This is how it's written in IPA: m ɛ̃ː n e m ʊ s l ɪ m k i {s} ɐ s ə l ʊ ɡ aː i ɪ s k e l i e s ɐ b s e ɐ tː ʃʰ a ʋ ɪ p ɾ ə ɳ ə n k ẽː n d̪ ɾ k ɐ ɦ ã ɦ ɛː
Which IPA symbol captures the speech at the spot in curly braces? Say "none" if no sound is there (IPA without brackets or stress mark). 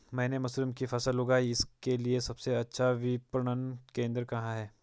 f